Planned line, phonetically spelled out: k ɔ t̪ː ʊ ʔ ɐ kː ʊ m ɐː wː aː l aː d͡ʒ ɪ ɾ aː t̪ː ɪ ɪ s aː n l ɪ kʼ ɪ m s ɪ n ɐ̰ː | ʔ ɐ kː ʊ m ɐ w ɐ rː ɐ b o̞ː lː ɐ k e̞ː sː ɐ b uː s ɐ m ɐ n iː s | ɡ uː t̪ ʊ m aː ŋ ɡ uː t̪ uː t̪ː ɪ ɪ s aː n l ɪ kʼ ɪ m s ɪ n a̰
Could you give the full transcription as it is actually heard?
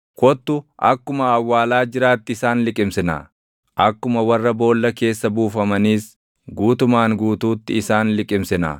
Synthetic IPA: k ɔ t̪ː ʊ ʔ ɐ kː ʊ m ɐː wː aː l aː d͡ʒ ɪ ɾ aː t̪ː ɪ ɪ s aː n l ɪ kʼ ɪ m s ɪ n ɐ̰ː | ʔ ɐ kː ʊ m ɐ w ɐ rː ɐ b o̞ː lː ɐ k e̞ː sː ɐ b uː f ɐ m ɐ n iː s | ɡ uː t̪ ʊ m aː ŋ ɡ uː t̪ uː t̪ː ɪ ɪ s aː n l ɪ kʼ ɪ m s ɪ n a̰